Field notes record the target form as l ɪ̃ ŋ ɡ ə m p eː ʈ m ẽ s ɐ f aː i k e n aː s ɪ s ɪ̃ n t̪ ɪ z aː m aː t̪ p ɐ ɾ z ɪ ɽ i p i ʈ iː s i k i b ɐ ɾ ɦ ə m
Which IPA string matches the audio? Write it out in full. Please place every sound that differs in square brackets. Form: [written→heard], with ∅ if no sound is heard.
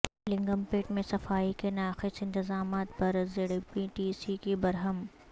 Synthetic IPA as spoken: l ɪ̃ ŋ ɡ ə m p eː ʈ m ẽ s ɐ f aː i k e n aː [s→x] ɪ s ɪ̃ n t̪ ɪ z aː m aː t̪ p ɐ ɾ z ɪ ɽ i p i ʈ iː s i k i b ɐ ɾ ɦ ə m